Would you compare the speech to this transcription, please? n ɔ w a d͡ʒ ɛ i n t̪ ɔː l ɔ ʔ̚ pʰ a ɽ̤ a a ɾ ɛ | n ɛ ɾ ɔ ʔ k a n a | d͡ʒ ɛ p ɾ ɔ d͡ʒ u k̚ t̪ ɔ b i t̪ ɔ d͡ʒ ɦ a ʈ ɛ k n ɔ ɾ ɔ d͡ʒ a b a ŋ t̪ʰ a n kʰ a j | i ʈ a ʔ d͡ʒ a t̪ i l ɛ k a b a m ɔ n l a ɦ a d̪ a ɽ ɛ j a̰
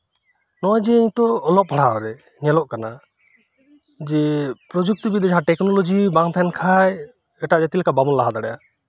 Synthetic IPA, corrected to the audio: n ɔ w a d͡ʒ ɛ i ɲ t̪ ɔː l ɔ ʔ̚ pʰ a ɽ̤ a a ɾ ɛ | ɲ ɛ l ɔ ʔ k a n a | d͡ʒ ɛ p ɾ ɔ d͡ʒ u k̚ t̪ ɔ b i d̪ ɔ d͡ʒ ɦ a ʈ ɛ k n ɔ l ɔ d͡ʒ i b a ŋ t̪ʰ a n kʰ a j | ɛ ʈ a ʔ d͡ʒ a t̪ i l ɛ k a b a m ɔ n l a ɦ a d̪ a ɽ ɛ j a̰